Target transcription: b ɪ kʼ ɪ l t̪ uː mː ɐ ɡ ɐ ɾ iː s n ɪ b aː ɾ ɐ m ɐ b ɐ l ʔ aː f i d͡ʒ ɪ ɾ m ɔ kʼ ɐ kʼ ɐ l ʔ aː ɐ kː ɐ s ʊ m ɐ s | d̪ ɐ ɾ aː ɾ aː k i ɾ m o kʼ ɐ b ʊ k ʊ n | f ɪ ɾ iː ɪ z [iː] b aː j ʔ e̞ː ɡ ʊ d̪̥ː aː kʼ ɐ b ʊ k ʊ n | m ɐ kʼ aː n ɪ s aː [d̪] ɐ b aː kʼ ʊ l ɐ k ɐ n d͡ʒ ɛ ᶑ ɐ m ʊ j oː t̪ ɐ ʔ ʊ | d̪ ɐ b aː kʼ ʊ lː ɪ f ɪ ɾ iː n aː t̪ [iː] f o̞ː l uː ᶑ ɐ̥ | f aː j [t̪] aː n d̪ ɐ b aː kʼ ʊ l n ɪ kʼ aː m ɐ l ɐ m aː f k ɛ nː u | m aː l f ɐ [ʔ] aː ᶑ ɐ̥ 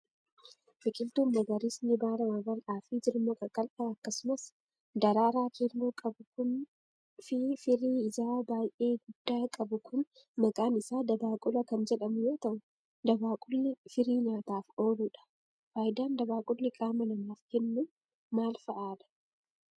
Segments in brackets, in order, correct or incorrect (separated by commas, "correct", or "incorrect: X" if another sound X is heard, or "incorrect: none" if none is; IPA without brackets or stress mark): incorrect: aː, correct, incorrect: aː, incorrect: d̪, correct